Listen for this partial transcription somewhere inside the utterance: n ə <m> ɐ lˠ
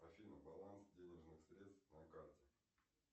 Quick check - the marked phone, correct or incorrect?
incorrect